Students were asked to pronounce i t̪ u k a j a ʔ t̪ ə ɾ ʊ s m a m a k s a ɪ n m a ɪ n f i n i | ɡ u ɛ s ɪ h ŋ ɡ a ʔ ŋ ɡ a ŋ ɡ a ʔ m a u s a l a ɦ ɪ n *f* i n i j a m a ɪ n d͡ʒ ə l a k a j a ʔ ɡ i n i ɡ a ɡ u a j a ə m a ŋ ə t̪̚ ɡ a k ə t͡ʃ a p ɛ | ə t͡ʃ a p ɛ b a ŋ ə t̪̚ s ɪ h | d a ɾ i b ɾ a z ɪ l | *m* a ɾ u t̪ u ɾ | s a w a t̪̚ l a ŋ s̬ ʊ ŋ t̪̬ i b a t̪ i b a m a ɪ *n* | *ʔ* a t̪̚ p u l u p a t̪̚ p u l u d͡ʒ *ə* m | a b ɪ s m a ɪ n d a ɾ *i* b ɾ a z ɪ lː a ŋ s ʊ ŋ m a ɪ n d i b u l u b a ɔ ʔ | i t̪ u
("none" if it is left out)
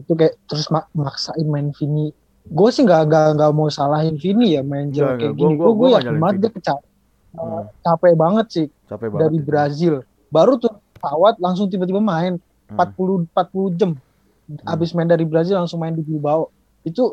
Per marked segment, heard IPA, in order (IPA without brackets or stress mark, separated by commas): f, b, n, p, ə, i